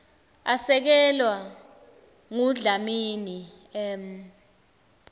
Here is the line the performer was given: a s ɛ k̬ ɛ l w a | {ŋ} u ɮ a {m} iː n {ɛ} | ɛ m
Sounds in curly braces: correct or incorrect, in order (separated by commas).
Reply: correct, correct, incorrect